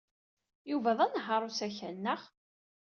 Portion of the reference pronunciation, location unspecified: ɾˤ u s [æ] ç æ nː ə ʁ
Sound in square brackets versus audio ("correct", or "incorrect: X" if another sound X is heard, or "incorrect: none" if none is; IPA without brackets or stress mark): correct